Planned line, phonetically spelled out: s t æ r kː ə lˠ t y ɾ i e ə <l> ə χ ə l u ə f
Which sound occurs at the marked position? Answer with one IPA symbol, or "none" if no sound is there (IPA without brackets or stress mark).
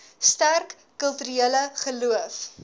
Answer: l